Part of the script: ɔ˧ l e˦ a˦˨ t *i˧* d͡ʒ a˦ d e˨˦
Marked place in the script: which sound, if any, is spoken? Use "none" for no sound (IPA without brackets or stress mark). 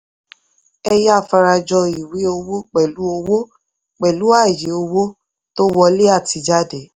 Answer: i˧